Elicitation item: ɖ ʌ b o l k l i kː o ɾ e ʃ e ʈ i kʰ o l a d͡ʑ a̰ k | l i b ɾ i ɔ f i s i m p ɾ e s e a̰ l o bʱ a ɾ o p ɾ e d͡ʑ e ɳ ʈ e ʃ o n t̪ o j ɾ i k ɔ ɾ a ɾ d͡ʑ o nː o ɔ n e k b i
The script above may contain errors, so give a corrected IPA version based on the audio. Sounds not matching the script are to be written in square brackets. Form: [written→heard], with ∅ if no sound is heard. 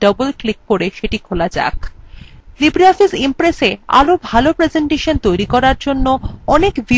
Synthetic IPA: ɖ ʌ b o l k l i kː o ɾ e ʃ e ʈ i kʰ o l a d͡ʑ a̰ k | l i b ɾ i ɔ f i s i m p ɾ e s e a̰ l o bʱ a [ɾ→l] o p ɾ e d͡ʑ e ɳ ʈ e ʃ o n t̪ o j ɾ i k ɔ ɾ a ɾ d͡ʑ o nː o ɔ n e k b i